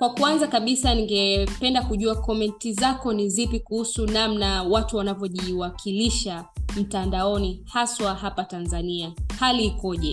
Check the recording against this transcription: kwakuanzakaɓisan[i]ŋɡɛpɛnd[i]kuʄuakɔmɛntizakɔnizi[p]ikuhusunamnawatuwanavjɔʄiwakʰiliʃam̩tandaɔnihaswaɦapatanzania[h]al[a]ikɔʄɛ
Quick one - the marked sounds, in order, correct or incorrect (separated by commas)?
correct, incorrect, correct, correct, incorrect